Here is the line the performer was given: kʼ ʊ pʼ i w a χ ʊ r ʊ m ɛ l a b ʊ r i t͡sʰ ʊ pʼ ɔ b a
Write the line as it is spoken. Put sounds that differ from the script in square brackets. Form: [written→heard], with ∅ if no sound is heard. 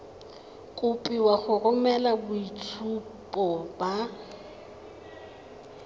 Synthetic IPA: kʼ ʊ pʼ i w a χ ʊ r ʊ m ɛ l a b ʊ [r→∅] i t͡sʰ [ʊ→u] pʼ ɔ b a

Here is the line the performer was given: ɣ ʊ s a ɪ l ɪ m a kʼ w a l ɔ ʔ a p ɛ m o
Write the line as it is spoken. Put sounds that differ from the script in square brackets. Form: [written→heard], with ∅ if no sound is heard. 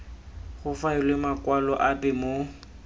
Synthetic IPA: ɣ ʊ [s→f] a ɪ l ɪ m a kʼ w a l ɔ ʔ a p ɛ m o

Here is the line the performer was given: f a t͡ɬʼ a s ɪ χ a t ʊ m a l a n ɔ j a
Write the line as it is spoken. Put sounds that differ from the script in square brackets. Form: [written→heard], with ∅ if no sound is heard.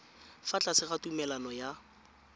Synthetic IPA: f a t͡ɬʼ a s ɪ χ a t [ʊ→u] m [a→ɛ] l a n ɔ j a

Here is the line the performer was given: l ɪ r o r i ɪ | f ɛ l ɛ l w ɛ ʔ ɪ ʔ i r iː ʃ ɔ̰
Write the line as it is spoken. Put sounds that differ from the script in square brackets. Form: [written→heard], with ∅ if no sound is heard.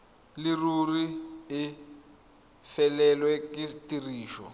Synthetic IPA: l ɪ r [o→u] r i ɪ | f ɛ l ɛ l w ɛ [ʔ→k] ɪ [ʔ→t] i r iː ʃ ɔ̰

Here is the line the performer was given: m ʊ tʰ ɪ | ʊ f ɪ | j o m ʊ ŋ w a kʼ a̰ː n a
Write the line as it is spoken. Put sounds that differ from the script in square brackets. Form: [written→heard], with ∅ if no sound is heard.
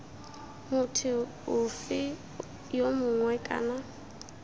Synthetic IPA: m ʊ tʰ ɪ | ʊ f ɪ | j o m ʊ ŋ w [a→ɛ] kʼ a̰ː n a

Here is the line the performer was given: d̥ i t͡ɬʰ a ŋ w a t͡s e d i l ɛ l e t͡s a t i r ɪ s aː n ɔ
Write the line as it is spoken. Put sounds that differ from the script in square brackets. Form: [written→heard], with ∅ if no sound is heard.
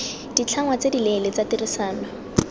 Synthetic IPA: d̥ i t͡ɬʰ a ŋ w a t͡s e d i l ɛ l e t͡s a t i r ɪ s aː n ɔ

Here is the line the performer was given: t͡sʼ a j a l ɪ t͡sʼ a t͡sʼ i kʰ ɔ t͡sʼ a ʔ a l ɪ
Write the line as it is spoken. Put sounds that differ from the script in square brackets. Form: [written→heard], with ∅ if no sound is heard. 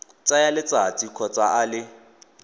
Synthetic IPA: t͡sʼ a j a l ɪ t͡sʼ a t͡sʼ i kʰ ɔ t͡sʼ a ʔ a l ɪ

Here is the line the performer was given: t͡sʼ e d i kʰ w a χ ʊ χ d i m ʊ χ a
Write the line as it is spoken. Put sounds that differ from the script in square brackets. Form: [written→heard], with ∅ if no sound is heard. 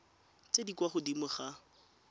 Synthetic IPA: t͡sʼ e d i [kʰ→k] w a χ ʊ [χ→∅] d i m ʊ χ a

